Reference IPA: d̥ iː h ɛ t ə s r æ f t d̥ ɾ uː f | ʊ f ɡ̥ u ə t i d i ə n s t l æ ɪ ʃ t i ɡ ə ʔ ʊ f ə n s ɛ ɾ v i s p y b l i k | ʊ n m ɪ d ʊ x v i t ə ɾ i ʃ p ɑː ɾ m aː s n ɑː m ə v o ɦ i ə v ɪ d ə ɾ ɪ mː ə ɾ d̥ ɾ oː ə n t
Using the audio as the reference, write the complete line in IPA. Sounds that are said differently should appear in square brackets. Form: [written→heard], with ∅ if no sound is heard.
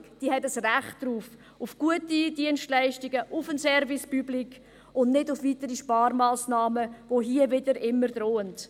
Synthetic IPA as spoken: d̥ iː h ɛ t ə s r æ [f→χ] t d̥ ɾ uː f | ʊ f ɡ̥ u ə t i d i ə n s t l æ ɪ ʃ t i ɡ ə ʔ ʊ f ə n s ɛ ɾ v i s p y b l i k | ʊ n [m→n] ɪ d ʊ [x→f] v i t ə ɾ i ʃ p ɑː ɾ m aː s n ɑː m ə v o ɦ i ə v ɪ d ə ɾ ɪ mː ə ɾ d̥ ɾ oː ə n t